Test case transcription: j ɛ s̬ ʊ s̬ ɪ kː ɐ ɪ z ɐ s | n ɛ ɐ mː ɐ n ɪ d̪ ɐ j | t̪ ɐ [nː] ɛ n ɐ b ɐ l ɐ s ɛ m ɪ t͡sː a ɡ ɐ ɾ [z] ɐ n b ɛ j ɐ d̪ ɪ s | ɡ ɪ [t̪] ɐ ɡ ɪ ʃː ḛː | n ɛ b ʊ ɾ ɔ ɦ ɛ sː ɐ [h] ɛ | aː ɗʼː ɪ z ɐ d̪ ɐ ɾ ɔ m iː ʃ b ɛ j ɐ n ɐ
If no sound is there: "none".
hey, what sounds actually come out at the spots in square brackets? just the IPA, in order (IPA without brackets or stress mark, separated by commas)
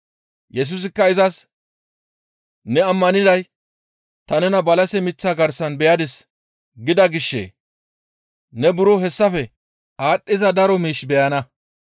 n, s, d̪, f